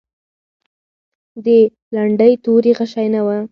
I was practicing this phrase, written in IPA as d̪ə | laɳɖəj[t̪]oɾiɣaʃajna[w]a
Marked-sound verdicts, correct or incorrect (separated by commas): correct, correct